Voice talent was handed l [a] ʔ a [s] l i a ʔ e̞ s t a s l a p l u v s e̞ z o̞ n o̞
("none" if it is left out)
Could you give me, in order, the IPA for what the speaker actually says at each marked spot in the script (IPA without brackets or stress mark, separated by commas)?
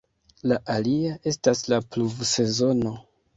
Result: a, none